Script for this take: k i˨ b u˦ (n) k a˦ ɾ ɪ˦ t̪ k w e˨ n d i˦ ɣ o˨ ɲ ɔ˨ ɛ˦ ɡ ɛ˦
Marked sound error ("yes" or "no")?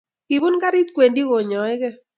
no